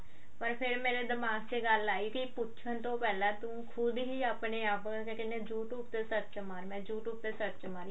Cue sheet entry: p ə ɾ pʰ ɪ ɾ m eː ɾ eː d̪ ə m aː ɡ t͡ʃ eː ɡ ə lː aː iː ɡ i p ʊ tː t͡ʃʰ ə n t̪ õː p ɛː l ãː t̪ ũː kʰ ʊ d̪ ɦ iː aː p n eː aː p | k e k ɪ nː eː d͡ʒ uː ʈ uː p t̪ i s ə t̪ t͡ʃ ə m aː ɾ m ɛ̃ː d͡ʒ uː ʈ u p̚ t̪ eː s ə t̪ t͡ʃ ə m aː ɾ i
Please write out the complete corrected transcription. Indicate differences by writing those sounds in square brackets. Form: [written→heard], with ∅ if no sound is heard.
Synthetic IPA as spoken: p ə ɾ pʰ ɪ ɾ m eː ɾ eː d̪ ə m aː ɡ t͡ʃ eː ɡ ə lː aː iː [ɡ→k] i p ʊ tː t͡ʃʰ ə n t̪ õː p ɛː l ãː t̪ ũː kʰ ʊ d̪ ɦ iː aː p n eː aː p | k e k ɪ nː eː d͡ʒ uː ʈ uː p t̪ [i→e] s ə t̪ t͡ʃ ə m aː ɾ m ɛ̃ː d͡ʒ uː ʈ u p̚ t̪ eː s ə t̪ t͡ʃ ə m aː ɾ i